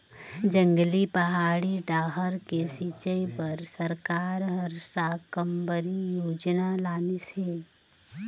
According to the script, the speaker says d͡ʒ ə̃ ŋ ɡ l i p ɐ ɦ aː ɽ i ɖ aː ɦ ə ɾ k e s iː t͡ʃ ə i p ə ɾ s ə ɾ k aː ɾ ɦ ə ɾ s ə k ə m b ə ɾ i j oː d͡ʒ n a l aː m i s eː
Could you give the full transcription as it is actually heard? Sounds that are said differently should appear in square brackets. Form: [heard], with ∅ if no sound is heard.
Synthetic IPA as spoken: d͡ʒ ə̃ ŋ ɡ l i p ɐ ɦ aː ɽ i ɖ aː ɦ ə ɾ k e s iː t͡ʃ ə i p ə ɾ s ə ɾ k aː ɾ ɦ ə ɾ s [a] k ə m b ə ɾ i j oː d͡ʒ n a l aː [n] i s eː

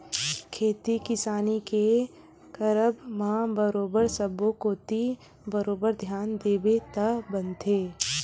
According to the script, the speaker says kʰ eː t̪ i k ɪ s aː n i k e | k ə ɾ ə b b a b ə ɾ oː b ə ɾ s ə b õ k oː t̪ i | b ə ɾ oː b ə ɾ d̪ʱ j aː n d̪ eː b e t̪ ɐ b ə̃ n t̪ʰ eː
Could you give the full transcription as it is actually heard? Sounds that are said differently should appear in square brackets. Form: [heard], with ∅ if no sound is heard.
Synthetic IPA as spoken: kʰ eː t̪ i k ɪ s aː n i k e | k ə ɾ ə b [m] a b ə ɾ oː b ə ɾ s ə b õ k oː t̪ i | b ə ɾ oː b ə ɾ d̪ʱ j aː n d̪ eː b e t̪ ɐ b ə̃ n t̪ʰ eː

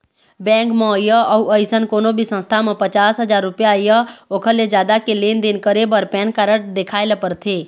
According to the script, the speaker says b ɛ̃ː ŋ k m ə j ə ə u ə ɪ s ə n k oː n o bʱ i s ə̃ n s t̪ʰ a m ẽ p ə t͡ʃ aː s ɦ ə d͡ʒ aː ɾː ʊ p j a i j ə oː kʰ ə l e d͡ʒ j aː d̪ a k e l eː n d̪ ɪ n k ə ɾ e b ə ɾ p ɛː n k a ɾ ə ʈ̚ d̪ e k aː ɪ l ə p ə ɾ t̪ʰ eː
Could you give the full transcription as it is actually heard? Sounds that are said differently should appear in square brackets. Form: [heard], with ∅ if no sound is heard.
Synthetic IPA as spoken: b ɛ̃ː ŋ k m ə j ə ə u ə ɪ s ə n k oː n o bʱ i s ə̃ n s t̪ʰ a m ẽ p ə t͡ʃ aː s ɦ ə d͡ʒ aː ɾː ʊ p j a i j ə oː kʰ ə l e d͡ʒ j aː d̪ a k e l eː n d̪ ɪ n k ə ɾ e b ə ɾ p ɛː n k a ɾ ə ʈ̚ d̪ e [kʰ] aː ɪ l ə p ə ɾ t̪ʰ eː

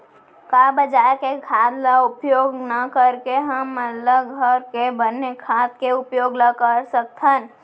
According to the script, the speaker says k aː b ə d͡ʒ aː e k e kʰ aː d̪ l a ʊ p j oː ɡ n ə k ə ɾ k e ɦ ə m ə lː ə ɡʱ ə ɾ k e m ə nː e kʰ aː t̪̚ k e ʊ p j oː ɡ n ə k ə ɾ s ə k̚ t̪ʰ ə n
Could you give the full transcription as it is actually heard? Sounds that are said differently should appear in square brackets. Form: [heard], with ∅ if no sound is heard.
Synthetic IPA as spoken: k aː b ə d͡ʒ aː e k e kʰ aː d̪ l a ʊ p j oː ɡ n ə k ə ɾ k e ɦ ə m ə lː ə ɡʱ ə ɾ k e [b] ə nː e kʰ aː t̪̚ k e ʊ p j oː ɡ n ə k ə ɾ s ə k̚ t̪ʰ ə n

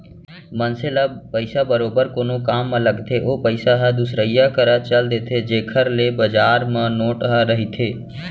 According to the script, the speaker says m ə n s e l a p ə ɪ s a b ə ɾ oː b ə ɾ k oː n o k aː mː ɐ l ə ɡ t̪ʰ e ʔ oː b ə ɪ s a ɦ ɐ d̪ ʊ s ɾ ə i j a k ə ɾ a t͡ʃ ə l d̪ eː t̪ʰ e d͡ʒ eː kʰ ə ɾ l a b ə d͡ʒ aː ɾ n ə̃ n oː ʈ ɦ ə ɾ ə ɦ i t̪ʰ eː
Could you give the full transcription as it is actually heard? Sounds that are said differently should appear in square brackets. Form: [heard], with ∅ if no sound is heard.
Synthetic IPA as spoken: m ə n s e l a p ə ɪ s a b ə ɾ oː b ə ɾ k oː n o k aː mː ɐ l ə ɡ t̪ʰ e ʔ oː [p] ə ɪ s a ɦ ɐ d̪ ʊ s ɾ ə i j a k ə ɾ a t͡ʃ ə l d̪ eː t̪ʰ e d͡ʒ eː kʰ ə ɾ l [e] b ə d͡ʒ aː ɾ [m] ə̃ n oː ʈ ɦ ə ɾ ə ɦ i t̪ʰ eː

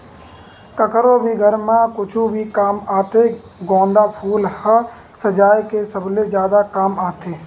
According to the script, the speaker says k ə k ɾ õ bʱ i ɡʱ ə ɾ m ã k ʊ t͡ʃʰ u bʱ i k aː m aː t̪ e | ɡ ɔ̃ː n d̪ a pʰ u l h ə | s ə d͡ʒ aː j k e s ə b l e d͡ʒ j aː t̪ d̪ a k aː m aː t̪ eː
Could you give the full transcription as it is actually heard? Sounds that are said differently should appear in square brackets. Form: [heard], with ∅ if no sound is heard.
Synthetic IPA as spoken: k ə k ɾ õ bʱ i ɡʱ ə ɾ m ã k ʊ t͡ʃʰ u bʱ i k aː m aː t̪ e | ɡ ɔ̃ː n d̪ a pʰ [uː] l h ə | s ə d͡ʒ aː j k e s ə b l e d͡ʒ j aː [∅] d̪ a k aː m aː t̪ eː

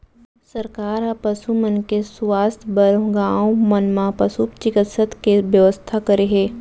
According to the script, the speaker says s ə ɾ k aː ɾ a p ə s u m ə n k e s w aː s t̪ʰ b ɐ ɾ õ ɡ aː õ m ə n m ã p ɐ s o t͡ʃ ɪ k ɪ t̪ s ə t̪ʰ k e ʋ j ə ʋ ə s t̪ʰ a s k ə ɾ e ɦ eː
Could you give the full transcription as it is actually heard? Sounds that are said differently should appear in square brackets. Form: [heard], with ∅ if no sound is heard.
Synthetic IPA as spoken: s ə ɾ k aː ɾ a p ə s u m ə n k e s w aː s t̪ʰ b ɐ ɾ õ ɡ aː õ m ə n m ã p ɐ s [u] t͡ʃ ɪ k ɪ t̪ s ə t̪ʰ k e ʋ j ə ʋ ə s t̪ʰ a [∅] k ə ɾ e ɦ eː

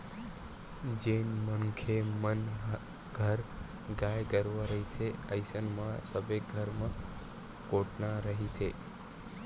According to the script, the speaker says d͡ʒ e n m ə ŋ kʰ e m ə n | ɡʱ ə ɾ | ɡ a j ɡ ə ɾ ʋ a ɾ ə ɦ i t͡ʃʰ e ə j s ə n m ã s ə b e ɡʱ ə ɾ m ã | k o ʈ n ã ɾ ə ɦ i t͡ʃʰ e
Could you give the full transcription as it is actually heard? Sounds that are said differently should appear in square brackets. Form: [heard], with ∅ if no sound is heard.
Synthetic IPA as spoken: d͡ʒ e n m ə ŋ kʰ e m ə n | ɡʱ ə ɾ | ɡ a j ɡ ə ɾ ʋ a ɾ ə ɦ i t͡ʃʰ e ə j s ə n m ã s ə b e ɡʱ ə ɾ m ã | k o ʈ n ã ɾ ə ɦ i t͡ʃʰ e

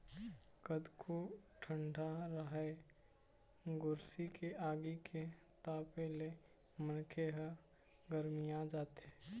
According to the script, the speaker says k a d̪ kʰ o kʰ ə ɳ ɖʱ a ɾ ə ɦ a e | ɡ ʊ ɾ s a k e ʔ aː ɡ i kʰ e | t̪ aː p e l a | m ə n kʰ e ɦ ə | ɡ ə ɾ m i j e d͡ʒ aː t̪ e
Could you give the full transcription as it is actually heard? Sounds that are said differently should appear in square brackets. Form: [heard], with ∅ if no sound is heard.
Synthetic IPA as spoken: k [ə] d̪ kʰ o [ʈʰ] ə ɳ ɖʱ a ɾ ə ɦ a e | ɡ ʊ ɾ s [i] k e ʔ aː ɡ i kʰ e | t̪ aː p e l [e] | m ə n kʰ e ɦ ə | ɡ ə ɾ m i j [a] d͡ʒ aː t̪ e

